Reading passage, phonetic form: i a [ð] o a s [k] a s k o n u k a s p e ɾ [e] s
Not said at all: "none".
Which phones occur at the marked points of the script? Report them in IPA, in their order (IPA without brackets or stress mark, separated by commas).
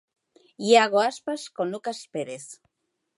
ɣ, p, e